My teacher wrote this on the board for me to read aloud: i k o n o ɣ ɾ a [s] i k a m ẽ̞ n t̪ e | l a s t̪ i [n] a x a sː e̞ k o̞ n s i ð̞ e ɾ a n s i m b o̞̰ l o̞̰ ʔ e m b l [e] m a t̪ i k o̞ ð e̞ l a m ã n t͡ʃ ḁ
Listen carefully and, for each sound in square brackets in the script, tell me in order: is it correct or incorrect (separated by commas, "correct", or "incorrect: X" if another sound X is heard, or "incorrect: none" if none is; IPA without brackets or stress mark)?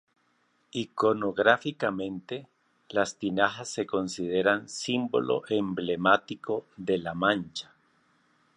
incorrect: f, correct, correct